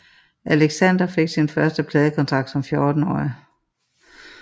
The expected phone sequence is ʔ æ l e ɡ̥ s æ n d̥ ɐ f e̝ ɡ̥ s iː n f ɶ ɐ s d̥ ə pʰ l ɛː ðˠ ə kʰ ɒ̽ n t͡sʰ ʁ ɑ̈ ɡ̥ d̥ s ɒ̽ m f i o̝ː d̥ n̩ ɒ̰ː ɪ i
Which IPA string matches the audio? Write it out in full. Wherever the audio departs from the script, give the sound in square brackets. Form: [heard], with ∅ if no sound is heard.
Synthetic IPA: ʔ æ l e ɡ̥ s æ n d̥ ɐ f e̝ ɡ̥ s [i] n f ɶ ɐ s d̥ ə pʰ l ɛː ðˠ ə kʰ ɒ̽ n t͡sʰ ʁ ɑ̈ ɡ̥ d̥ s ɒ̽ m f [j] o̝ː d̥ n̩ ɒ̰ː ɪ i